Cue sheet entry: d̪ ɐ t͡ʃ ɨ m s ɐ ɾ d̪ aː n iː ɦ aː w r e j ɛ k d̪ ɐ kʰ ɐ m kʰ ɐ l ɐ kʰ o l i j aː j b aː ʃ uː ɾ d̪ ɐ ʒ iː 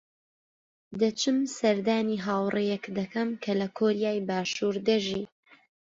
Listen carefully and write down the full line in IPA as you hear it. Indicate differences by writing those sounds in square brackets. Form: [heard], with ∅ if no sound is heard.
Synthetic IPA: d̪ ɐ t͡ʃ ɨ m s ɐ ɾ d̪ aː n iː ɦ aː w r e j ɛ k d̪ ɐ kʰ ɐ m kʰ ɐ l ɐ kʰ o [ɾ] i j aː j b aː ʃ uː ɾ d̪ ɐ ʒ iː